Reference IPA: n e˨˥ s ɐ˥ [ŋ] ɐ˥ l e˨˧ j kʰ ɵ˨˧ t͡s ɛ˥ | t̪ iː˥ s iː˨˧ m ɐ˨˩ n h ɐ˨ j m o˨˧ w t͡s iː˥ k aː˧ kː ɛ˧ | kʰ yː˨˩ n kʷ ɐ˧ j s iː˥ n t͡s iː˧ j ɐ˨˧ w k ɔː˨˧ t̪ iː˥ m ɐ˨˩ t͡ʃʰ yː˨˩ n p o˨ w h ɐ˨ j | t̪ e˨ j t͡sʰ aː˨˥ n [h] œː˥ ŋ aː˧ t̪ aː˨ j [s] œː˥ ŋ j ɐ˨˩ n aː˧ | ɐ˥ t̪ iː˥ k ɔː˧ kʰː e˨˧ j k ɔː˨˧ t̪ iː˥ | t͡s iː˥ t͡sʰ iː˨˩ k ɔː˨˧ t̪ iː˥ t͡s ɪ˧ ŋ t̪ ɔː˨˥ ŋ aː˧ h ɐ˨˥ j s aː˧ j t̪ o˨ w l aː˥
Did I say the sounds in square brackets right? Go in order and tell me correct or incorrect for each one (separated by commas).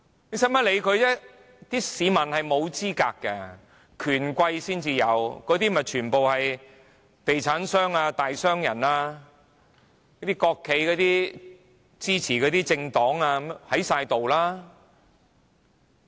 incorrect, incorrect, correct